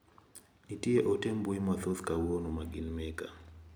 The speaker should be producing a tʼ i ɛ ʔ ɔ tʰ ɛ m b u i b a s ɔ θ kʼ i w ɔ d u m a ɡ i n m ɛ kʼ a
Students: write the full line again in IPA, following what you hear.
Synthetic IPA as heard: i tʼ i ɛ ʔ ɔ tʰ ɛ m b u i m a θ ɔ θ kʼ a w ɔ n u m a ɡ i n m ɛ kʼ a